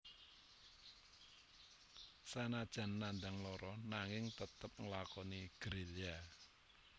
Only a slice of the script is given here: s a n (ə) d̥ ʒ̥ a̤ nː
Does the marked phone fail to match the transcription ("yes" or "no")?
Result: yes